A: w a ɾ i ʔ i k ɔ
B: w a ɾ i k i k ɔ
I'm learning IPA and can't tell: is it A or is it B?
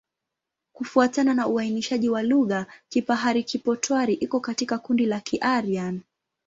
A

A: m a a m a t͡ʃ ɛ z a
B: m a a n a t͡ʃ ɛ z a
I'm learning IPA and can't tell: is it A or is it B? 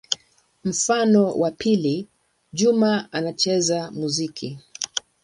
B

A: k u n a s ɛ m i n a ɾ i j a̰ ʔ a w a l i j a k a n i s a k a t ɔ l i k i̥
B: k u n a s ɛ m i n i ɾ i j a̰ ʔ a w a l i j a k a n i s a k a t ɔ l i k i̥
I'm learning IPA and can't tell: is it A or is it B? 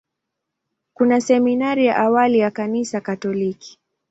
A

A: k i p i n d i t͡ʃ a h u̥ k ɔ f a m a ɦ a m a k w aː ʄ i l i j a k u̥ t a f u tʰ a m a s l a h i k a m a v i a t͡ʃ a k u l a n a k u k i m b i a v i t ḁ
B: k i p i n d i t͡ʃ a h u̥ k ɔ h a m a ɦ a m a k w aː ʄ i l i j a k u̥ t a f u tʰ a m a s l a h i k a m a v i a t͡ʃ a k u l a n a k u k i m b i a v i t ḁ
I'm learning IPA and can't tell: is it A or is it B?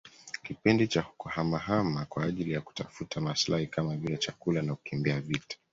B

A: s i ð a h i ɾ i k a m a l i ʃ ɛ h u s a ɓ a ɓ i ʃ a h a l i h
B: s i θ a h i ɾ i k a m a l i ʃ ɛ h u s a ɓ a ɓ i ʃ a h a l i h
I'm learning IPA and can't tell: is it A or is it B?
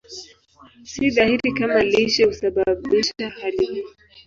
A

